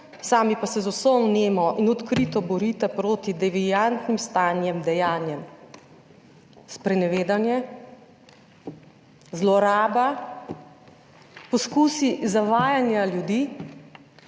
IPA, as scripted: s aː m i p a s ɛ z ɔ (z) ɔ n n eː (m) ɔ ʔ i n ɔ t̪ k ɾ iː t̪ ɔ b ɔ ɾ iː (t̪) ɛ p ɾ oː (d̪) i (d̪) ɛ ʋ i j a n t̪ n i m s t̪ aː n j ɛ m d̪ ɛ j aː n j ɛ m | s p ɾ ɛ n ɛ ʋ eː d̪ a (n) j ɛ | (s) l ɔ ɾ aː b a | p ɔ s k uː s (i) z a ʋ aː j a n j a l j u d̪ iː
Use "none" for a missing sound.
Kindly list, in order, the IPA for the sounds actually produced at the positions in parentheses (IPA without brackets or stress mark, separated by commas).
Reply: s, m, t̪, t̪, d̪, n, z, i